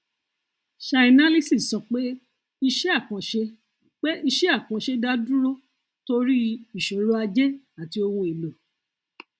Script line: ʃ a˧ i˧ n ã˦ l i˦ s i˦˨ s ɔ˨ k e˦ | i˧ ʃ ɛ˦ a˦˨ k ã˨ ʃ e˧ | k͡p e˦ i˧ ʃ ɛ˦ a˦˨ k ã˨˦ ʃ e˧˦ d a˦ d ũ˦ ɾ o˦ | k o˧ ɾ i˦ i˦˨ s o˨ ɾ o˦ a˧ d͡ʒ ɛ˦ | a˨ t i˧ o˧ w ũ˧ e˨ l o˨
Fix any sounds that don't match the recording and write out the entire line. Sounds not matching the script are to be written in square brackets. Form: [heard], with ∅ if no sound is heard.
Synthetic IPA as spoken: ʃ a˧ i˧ n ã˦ l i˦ s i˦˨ s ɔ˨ [k͡p] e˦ | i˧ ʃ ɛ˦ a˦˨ k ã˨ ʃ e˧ | k͡p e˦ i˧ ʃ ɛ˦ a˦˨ k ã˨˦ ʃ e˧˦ d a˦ d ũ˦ ɾ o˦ | [t] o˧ ɾ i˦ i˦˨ [ʃ] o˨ ɾ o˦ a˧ d͡ʒ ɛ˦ | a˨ t i˧ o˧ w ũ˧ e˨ l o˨